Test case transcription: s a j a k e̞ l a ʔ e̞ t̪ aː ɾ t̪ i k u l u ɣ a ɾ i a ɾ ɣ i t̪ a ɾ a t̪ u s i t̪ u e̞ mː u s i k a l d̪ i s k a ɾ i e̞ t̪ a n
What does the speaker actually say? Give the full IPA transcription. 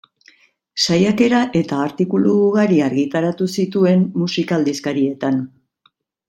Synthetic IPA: s a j a k e̞ ɾ a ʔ e̞ t̪ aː ɾ t̪ i k u l u ɣ a ɾ i a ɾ ɣ i t̪ a ɾ a t̪ u s i t̪ u e̞ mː u s i k a l d̪ i s k a ɾ i e̞ t̪ a n

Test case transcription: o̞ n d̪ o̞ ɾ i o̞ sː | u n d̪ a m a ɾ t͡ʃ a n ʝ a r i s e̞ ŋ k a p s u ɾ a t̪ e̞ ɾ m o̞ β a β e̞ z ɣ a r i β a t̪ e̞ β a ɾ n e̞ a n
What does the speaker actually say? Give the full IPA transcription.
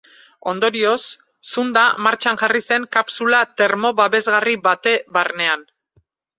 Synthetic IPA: o̞ n d̪ o̞ ɾ i o̞ sː | u n d̪ a m a ɾ t͡ʃ a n ʝ a r i s e̞ ŋ k a p s u l a t̪ e̞ ɾ m o̞ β a β e̞ z ɣ a r i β a t̪ e̞ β a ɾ n e̞ a n

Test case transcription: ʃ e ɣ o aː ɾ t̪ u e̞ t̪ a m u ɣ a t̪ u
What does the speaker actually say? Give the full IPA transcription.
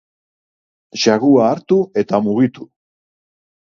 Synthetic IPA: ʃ a ɣ u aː ɾ t̪ u e̞ t̪ a m u ɣ i t̪ u

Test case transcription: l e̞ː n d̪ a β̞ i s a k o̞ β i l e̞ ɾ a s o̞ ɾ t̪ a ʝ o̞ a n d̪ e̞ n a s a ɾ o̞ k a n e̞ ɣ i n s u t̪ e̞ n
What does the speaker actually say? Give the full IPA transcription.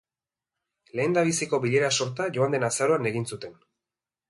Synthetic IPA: l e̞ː n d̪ a β̞ i s i k o̞ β i ʎ e̞ ɾ a s o̞ ɾ t̪ a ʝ o̞ a n d̪ e̞ n a s a ɾ o̞ a n e̞ ɣ i n s u t̪ e̞ n

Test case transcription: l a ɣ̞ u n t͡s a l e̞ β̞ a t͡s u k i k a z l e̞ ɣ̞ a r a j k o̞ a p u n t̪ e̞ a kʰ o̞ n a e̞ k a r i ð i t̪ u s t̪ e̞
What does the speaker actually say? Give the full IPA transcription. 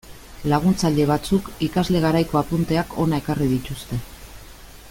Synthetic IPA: l a ɣ̞ u n t͡s a ʎ e̞ β̞ a t͡s u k i k a z l e̞ ɣ̞ a ɾ a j k o̞ a p u n t̪ e̞ a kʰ o̞ n a e̞ k a r i ð i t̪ u s t̪ e̞

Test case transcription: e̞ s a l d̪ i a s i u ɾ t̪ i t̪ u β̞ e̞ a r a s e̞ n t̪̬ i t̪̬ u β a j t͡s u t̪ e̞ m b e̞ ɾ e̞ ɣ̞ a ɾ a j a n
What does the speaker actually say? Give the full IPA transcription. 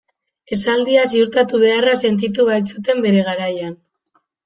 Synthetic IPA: e̞ s a l d̪ i a s i u ɾ t̪ a t̪ u β̞ e̞ a r a s e̞ n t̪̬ i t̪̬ u β a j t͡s u t̪ e̞ m b e̞ ɾ e̞ ɣ̞ a ɾ a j a n

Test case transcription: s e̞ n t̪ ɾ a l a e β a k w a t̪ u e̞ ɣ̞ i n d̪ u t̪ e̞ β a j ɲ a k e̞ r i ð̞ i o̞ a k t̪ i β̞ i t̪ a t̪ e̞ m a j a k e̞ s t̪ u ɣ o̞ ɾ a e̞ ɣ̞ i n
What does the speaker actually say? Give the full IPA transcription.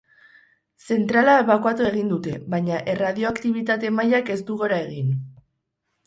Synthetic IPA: s e̞ n t̪ ɾ a l a e β a k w a t̪ u e̞ ɣ̞ i n d̪ u t̪ e̞ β a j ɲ a ʔ e̞ r a ð̞ i o̞ a k t̪ i β̞ i t̪ a t̪ e̞ m a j a k e̞ s t̪ u ɣ o̞ ɾ a e̞ ɣ̞ i n

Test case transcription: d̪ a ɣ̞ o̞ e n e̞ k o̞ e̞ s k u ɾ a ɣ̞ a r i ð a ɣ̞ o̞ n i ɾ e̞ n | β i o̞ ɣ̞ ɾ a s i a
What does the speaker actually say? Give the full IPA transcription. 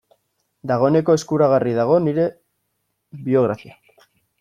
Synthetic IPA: d̪ a ɣ̞ o̞ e n e̞ k o̞ e̞ s k u ɾ a ɣ̞ a r i ð a ɣ̞ o̞ n i ɾ e̞ | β i o̞ ɣ̞ ɾ a f i a

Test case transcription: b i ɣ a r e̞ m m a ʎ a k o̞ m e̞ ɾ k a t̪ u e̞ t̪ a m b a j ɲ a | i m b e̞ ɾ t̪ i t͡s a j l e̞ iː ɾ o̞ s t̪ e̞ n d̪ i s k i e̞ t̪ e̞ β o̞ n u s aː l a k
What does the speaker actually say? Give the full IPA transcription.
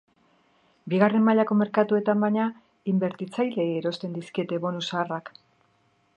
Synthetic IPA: b i ɣ a r e̞ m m a ʎ a k o̞ m e̞ ɾ k a t̪ u e̞ t̪ a m b a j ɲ a | i m b e̞ ɾ t̪ i t͡s a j l e̞ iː ɾ o̞ s t̪ e̞ n d̪ i s k i e̞ t̪ e̞ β o̞ n u s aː r a k

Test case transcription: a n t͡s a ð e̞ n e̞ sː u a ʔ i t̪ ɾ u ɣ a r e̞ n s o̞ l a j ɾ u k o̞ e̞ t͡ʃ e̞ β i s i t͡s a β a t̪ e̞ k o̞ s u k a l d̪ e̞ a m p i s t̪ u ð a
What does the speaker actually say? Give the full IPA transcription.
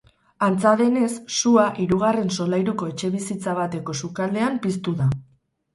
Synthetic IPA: a n t͡s a ð e̞ n e̞ sː u a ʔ i ɾ u ɣ a r e̞ n s o̞ l a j ɾ u k o̞ e̞ t͡ʃ e̞ β i s i t͡s a β a t̪ e̞ k o̞ s u k a l d̪ e̞ a m p i s t̪ u ð a

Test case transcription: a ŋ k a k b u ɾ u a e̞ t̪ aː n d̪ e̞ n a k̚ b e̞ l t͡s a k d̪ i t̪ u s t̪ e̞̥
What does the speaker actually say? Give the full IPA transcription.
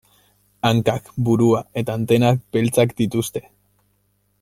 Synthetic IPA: a ŋ k a k b u ɾ u a e̞ t̪ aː n t̪ e̞ n a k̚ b e̞ l t͡s a k d̪ i t̪ u s t̪ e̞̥

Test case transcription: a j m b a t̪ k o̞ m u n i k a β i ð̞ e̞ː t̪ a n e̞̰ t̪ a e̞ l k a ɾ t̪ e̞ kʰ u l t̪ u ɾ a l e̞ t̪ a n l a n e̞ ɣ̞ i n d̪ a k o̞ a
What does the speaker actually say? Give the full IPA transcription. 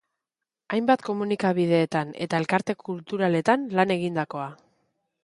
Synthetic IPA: a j m b a t̪ k o̞ m u n i k a β i ð̞ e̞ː t̪ a n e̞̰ t̪ a e̞ l k a ɾ t̪ e̞ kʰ u l t̪ u ɾ a l e̞ t̪ a n l a n e̞ ɣ̞ i n d̪ a k o̞ a

